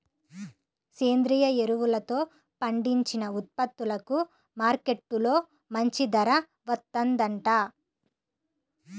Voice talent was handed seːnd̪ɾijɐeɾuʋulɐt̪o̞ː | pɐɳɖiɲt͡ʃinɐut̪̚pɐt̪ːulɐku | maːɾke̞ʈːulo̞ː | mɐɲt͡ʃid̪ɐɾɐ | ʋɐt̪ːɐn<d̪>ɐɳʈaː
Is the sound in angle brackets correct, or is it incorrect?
correct